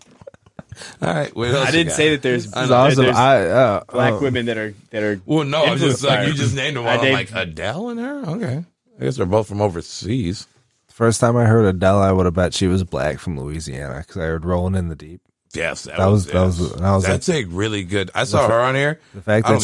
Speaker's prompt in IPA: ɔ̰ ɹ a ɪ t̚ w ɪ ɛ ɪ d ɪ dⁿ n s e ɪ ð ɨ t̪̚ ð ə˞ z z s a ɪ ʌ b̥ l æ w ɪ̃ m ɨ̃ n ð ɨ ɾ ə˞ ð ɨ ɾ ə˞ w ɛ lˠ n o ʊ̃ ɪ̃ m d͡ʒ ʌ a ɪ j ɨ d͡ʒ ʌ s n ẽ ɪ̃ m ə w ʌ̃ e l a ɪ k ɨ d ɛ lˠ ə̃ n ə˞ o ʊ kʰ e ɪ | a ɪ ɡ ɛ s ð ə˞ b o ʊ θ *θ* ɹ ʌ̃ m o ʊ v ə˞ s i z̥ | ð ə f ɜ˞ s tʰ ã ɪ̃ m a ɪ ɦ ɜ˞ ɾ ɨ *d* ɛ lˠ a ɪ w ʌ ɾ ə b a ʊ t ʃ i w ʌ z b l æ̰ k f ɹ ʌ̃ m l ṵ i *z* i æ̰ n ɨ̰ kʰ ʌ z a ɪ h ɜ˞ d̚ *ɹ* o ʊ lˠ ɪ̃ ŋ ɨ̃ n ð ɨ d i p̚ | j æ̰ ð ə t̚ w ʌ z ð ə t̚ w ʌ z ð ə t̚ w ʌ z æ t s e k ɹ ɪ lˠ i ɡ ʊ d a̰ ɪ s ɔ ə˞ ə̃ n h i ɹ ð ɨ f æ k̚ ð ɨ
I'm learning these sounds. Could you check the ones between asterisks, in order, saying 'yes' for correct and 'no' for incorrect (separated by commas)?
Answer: no, yes, yes, yes